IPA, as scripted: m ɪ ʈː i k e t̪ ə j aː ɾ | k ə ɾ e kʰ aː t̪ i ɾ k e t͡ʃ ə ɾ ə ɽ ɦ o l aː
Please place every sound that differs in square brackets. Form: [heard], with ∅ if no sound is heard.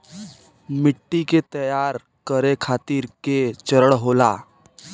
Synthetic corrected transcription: m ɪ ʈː i k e t̪ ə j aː ɾ | k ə ɾ e kʰ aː t̪ i ɾ k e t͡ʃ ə ɾ ə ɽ ɦ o l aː